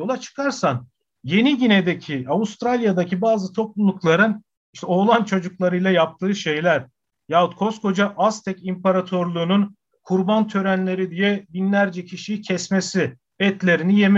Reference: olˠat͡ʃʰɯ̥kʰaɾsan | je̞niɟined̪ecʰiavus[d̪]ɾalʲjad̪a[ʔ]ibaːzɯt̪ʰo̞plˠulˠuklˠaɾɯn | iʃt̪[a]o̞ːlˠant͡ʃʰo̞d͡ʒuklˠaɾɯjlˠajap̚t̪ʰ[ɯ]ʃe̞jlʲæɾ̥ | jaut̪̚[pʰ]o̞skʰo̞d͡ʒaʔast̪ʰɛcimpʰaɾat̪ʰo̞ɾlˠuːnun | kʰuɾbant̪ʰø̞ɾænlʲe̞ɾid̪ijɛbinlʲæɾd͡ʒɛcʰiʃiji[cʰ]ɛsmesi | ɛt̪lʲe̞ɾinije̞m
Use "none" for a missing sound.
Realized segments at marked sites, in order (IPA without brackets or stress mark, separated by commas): t̪, c, ɛ, ɯː, kʰ, cʰ